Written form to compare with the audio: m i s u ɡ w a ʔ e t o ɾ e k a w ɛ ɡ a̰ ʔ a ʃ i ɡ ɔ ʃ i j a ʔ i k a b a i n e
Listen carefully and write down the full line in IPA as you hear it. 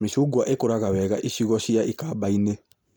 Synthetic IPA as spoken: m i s u ɡ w a ʔ e k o ɾ a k a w ɛ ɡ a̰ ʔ i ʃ i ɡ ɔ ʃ i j a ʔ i k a b a i n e